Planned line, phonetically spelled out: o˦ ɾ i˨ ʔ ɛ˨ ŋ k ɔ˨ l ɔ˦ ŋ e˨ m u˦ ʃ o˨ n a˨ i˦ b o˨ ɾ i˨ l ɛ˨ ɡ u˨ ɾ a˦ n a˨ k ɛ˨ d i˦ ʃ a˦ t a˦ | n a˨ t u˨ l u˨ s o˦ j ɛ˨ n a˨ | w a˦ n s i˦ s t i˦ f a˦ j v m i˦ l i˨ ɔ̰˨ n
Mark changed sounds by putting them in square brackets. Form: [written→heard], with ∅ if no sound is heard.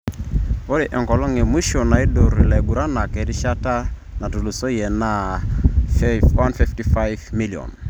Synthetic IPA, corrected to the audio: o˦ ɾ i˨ ʔ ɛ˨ ŋ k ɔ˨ l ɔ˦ ŋ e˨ m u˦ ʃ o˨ n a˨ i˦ [b→d] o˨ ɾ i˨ l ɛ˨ ɡ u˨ ɾ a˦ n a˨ k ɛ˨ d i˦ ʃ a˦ t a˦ | n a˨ t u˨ l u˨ s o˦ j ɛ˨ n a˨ | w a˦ n [s→f] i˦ [s→f] t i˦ f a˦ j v m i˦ l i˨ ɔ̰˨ n